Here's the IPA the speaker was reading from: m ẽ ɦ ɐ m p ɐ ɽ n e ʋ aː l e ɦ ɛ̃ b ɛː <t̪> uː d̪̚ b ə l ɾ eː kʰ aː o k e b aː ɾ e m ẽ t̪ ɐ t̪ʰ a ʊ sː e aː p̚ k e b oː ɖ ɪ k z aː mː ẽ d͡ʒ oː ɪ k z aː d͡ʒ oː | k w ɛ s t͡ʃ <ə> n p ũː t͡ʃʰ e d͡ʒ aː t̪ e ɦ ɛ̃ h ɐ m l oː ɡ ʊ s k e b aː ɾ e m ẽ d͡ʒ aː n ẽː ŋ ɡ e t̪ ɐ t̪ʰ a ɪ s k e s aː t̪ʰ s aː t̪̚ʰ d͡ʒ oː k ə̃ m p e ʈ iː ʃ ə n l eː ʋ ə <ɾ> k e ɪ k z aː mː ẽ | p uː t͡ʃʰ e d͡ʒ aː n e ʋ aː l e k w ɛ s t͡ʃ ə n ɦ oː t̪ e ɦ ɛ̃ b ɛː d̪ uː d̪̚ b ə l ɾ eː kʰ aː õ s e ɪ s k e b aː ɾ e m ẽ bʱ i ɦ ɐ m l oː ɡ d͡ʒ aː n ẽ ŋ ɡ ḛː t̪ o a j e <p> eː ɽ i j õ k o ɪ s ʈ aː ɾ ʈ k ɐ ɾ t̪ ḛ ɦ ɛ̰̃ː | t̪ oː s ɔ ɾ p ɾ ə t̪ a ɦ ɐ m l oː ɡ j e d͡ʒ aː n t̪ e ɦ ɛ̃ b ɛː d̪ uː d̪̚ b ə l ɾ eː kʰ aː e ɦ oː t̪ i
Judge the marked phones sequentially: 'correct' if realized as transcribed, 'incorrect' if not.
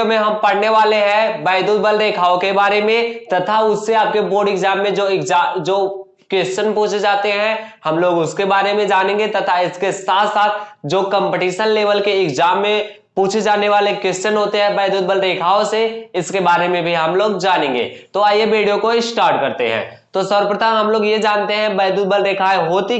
incorrect, correct, incorrect, incorrect

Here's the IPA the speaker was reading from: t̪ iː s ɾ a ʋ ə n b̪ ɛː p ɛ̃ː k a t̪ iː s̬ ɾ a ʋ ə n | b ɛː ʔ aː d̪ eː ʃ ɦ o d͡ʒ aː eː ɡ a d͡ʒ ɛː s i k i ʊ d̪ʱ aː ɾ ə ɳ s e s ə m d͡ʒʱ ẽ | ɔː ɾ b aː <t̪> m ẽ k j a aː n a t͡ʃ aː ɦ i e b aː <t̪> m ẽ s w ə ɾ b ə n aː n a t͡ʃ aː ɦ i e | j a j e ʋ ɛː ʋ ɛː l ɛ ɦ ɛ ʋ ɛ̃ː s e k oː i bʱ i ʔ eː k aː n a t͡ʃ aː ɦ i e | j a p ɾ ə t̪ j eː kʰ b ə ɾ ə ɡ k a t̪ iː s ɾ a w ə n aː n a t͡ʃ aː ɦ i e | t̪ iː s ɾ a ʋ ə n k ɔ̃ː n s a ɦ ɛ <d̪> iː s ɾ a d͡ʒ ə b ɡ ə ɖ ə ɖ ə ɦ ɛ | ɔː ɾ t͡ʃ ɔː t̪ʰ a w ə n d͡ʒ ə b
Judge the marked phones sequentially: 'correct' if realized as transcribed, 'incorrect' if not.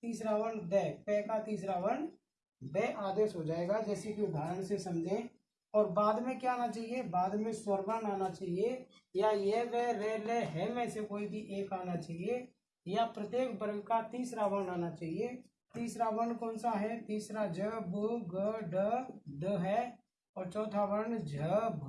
incorrect, incorrect, incorrect

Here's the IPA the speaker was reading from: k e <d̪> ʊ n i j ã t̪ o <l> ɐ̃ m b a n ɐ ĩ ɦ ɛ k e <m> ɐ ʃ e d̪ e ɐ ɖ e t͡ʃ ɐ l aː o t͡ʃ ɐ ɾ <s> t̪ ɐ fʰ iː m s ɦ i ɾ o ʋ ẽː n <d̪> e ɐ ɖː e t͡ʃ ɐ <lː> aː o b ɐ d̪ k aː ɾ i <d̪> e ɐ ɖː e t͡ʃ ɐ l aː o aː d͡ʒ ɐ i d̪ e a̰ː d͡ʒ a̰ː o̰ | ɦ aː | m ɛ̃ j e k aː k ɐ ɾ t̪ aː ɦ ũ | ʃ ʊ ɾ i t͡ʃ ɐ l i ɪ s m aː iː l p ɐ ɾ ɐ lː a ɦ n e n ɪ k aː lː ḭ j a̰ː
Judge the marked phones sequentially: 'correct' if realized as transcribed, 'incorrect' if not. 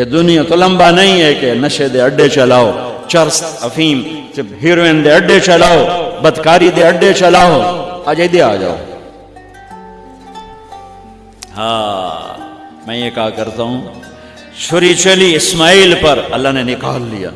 correct, correct, incorrect, correct, correct, incorrect, correct

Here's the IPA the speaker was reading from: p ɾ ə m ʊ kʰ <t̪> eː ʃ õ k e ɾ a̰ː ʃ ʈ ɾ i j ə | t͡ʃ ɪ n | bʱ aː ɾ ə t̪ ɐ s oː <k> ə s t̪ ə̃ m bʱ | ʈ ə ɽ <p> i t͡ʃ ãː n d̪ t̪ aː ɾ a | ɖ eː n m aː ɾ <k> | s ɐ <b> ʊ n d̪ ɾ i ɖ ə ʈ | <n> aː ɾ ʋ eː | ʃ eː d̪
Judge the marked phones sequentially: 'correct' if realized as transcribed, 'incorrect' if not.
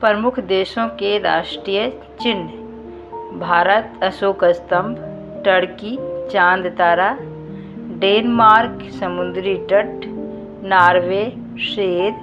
incorrect, correct, incorrect, correct, incorrect, correct

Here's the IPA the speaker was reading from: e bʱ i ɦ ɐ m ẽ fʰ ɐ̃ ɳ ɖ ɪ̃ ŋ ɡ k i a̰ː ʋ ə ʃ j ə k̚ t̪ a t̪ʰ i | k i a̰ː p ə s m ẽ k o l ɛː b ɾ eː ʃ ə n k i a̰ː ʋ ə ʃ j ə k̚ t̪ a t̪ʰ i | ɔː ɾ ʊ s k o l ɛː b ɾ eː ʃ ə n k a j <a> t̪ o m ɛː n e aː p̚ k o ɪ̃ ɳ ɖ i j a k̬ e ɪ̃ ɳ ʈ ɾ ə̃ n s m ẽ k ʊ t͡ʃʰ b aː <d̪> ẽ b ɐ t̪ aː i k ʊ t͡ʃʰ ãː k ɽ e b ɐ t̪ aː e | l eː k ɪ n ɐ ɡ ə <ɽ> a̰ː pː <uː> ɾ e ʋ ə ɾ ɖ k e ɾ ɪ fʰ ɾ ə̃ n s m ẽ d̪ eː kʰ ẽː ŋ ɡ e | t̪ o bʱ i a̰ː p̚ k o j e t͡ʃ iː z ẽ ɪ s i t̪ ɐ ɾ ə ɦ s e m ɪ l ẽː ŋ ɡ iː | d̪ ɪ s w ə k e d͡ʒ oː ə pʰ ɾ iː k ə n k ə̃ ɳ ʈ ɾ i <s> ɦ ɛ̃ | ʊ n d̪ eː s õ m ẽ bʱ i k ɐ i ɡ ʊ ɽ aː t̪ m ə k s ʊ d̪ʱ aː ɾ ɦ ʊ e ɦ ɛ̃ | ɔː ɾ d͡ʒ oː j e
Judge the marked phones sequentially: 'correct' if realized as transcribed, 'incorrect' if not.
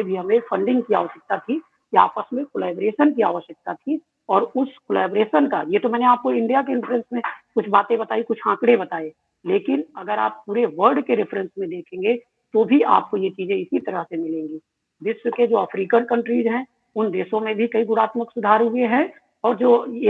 incorrect, incorrect, incorrect, correct, incorrect

